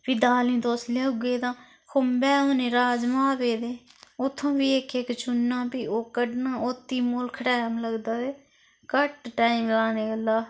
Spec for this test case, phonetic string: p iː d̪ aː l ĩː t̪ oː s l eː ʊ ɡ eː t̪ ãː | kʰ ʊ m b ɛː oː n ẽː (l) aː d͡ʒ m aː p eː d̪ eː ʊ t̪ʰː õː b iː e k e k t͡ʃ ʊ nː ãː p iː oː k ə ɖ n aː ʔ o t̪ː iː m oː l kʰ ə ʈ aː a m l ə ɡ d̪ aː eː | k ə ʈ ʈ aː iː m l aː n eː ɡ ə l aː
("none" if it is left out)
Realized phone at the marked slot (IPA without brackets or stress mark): ɾ